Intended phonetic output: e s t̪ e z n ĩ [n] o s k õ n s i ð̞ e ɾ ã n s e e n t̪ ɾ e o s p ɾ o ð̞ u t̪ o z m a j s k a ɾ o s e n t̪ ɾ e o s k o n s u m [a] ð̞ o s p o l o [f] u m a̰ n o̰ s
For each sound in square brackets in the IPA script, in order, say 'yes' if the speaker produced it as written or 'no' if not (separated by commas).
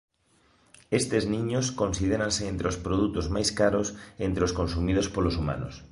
no, no, no